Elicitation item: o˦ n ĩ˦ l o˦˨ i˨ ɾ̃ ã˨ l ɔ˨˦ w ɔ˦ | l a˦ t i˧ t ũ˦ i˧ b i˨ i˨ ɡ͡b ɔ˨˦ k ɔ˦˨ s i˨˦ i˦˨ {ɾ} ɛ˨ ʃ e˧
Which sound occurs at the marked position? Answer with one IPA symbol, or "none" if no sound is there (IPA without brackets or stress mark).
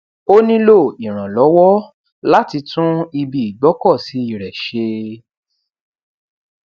ɾ